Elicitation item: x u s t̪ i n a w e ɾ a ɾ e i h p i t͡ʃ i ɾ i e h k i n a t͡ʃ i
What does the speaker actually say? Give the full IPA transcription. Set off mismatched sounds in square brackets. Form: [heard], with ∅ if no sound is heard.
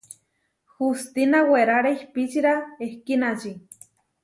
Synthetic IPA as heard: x u s t̪ i n a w e ɾ a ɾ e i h p i t͡ʃ i ɾ [a] e h k i n a t͡ʃ i